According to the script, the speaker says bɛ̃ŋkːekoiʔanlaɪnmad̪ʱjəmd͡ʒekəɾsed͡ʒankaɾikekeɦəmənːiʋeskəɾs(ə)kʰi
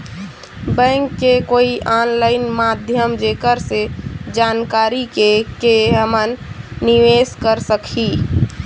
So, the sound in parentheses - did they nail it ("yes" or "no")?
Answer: yes